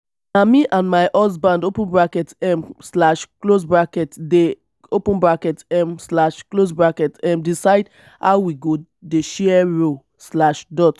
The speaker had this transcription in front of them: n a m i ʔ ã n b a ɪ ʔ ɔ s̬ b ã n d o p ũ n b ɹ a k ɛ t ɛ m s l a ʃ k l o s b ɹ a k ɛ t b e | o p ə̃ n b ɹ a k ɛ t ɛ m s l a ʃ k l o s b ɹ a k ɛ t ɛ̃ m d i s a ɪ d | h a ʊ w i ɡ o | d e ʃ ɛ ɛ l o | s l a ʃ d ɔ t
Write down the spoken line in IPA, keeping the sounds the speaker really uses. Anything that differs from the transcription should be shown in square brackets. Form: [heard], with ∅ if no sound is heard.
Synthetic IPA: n a m i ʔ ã n [m] a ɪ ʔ ɔ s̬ b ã n d o p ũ n b ɹ a k ɛ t ɛ m s l a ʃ k l o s b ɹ a k ɛ t [d] e | o p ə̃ n b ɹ a k ɛ t ɛ m s l a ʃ k l o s b ɹ a k ɛ t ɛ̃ m d i s a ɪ d | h a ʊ w i ɡ o | d e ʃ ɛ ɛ [ɹ] o | s l a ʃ d ɔ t